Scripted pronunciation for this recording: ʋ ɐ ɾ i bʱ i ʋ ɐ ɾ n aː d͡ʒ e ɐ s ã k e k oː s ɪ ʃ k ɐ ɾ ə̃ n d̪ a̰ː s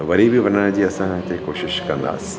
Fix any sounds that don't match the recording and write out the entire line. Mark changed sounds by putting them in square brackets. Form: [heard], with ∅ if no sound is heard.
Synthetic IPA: ʋ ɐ ɾ i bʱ i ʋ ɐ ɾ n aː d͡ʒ [i] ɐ s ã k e k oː [ʃ] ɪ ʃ k ɐ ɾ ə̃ n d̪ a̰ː s